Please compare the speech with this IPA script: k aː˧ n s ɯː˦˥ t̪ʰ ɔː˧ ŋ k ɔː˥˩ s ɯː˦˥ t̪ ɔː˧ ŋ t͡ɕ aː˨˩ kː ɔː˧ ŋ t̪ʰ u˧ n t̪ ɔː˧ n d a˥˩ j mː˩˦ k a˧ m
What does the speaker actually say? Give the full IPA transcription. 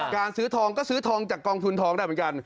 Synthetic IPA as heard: k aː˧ n s ɯː˦˥ t̪ʰ ɔː˧ ŋ k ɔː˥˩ s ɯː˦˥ t̪ʰ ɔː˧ ŋ t͡ɕ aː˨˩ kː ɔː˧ ŋ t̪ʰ u˧ n t̪ʰ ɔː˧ ŋ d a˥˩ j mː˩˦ k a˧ n

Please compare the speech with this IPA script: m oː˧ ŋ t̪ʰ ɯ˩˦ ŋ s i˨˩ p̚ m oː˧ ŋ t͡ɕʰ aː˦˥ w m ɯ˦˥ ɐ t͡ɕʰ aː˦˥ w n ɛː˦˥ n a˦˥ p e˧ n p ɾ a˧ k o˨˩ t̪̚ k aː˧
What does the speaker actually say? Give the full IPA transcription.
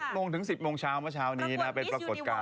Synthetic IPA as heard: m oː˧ ŋ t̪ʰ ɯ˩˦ ŋ s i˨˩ p̚ m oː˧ ŋ t͡ɕʰ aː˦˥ w m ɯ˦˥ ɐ t͡ɕʰ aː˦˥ w n iː˦˥ n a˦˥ p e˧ n p ɾ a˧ k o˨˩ t̪̚ k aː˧

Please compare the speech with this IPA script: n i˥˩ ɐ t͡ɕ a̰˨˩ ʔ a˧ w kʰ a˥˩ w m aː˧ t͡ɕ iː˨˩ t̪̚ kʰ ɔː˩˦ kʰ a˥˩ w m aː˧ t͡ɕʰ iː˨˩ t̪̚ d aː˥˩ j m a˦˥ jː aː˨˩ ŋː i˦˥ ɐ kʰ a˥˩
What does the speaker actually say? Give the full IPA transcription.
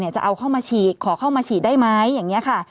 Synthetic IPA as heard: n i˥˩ ɐ t͡ɕ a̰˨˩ ʔ a˧ w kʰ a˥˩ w m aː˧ t͡ɕʰ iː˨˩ t̪̚ kʰ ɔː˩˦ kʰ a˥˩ w m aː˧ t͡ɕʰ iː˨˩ t̪̚ d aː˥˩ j m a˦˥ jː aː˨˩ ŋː i˦˥ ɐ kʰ a˥˩

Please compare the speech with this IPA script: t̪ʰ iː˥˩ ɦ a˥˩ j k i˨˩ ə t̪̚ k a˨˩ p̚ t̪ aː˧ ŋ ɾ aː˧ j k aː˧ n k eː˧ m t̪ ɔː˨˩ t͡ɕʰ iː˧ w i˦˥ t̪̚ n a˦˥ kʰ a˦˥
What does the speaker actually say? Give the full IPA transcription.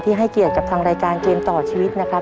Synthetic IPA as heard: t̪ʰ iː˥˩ ɦ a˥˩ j k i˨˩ ə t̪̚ k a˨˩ p̚ t̪ʰ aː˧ ŋ ɾ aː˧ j k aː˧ n k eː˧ m t̪ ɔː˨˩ t͡ɕʰ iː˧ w i˦˥ t̪̚ n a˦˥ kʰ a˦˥

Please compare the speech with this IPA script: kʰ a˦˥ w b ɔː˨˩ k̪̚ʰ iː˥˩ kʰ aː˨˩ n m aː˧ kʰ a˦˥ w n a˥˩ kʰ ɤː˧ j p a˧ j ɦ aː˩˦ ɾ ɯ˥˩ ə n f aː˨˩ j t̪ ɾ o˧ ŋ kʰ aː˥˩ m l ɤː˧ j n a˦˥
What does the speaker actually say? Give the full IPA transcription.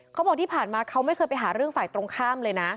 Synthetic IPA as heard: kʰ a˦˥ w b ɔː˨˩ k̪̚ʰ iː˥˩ pʰ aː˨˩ n m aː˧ kʰ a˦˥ w m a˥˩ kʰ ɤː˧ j p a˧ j ɦ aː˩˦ ɾ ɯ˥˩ ə ŋ f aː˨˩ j t̪ ɾ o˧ ŋ kʰ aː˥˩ m l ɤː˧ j n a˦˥

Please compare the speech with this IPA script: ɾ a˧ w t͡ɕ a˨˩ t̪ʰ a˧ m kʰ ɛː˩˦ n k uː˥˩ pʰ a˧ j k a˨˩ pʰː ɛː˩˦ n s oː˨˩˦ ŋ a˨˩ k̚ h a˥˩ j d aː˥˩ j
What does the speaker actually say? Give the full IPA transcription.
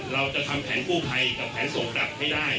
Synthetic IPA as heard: ɾ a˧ w t͡ɕ a˨˩ t̪ʰ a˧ m pʰ ɛː˩˦ n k uː˥˩ pʰ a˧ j k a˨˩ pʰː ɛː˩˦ n s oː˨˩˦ ŋ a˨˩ p̚ h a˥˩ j d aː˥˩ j

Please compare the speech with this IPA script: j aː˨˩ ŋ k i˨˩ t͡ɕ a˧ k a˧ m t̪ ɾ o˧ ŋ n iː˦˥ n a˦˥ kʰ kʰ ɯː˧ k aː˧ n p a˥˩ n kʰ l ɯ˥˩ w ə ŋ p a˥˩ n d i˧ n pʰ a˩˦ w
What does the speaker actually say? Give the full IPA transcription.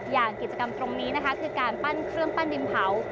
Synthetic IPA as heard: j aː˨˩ ŋ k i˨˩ t͡ɕ a˧ k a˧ m t̪ ɾ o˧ ŋ n iː˦˥ n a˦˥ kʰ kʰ ɯː˧ k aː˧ n p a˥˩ n kʰ ɾ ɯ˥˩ ə ŋ p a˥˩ n d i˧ m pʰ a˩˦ w

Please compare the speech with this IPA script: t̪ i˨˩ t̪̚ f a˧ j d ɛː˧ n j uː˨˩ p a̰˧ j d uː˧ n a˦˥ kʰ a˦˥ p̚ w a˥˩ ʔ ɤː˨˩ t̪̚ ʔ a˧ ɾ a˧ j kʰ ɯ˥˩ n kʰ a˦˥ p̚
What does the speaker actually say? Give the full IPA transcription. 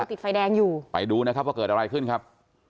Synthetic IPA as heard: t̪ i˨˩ t̪̚ f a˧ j d ɛː˧ ŋ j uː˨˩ p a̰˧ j d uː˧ n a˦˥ kʰ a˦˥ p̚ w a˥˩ k ɤː˨˩ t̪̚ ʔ a˧ ɾ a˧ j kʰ ɯ˥˩ n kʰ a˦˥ p̚

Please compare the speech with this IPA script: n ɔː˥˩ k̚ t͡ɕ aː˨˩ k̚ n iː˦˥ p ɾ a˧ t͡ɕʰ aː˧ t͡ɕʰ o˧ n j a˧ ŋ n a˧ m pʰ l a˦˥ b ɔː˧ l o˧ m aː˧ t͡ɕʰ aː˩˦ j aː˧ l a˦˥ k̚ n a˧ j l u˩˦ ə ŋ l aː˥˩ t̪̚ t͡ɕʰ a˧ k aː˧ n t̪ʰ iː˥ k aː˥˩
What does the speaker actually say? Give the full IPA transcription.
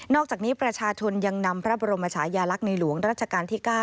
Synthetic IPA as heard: n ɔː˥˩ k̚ t͡ɕ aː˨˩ k̚ n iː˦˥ p ɾ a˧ t͡ɕʰ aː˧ t͡ɕʰ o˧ n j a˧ ŋ n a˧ m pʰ ɾ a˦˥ b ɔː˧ ɾ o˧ m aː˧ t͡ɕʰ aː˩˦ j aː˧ l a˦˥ k̚ n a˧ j l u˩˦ ə ŋ ɾ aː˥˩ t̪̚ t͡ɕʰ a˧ k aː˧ n t̪ʰ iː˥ k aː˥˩

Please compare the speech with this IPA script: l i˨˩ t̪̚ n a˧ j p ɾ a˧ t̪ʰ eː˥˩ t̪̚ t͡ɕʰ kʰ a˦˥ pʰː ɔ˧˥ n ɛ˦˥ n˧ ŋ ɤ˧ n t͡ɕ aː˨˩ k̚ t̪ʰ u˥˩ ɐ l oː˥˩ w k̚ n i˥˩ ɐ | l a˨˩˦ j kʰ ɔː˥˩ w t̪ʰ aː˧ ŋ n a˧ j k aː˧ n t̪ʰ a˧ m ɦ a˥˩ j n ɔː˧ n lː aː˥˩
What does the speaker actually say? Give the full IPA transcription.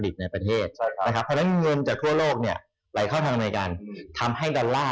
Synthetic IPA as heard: l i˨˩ t̪̚ n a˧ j p ɾ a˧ t̪ʰ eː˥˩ t̪̚ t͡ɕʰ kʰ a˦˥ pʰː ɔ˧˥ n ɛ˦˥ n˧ ŋ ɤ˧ n t͡ɕ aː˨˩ k̚ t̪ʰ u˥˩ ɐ l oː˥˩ k̚ n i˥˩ ɐ | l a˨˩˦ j kʰ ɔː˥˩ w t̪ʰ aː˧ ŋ n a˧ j k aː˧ n t̪ʰ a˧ m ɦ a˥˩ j d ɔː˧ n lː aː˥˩

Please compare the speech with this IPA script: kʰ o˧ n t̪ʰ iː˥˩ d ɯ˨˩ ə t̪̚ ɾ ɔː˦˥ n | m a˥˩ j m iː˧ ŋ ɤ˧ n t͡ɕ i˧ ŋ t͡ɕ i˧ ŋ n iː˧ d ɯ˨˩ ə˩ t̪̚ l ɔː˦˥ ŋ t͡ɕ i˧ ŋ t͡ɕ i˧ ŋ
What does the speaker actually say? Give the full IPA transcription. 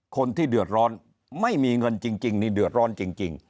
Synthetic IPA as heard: kʰ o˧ n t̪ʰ iː˥˩ d ɯ˨˩ ə t̪̚ ɾ ɔː˦˥ n | m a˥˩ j m iː˧ ŋ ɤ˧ n t͡ɕ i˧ ŋ t͡ɕ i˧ ŋ n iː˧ d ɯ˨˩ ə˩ t̪̚ ɾ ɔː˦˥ n t͡ɕ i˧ ŋ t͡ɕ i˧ ŋ

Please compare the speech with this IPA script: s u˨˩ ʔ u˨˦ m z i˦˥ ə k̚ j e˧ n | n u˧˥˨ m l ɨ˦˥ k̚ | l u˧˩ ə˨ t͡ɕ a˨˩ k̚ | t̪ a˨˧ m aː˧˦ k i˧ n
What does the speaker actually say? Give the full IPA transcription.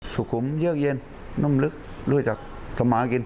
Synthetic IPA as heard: s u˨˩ k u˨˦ m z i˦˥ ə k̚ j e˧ n | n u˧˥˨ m l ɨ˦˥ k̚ | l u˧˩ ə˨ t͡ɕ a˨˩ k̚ | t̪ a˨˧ m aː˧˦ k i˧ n

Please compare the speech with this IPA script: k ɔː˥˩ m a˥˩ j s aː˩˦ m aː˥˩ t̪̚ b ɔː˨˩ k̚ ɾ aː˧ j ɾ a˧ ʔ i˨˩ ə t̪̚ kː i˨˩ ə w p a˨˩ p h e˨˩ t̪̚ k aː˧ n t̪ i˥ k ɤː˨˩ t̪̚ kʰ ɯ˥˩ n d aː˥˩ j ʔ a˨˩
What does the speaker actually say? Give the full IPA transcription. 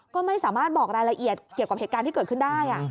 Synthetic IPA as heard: k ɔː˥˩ m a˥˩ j s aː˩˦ m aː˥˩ t̪̚ b ɔː˨˩ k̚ ɾ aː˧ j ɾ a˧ ʔ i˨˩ ə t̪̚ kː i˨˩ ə w k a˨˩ p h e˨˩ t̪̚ k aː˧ n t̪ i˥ k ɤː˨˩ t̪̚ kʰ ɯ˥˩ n d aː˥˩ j ʔ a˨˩

